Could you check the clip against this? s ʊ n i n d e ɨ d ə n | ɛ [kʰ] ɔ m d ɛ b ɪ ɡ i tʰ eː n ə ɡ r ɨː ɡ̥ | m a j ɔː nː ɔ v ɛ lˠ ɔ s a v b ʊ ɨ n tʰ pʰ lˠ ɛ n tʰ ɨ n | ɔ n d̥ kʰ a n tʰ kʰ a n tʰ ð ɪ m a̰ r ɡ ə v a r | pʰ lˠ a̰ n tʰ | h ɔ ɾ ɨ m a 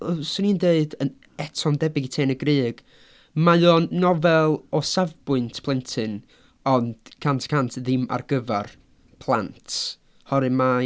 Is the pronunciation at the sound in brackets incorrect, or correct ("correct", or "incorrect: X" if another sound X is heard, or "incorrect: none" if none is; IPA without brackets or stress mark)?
incorrect: tʰ